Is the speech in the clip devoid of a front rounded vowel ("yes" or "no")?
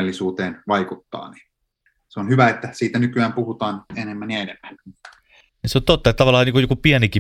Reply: no